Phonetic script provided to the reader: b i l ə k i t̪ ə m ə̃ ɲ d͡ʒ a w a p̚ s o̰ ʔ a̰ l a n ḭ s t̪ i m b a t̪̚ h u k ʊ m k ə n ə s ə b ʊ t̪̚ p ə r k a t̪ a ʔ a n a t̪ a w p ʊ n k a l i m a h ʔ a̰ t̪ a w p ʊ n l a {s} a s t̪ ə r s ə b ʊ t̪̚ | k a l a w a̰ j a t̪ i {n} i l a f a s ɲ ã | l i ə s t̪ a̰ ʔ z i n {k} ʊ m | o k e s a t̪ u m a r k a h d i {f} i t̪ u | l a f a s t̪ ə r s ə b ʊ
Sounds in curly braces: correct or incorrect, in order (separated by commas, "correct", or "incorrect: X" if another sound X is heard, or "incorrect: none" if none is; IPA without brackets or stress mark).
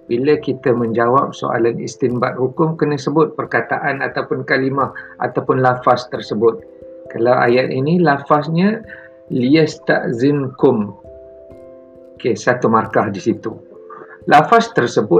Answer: incorrect: f, correct, correct, incorrect: s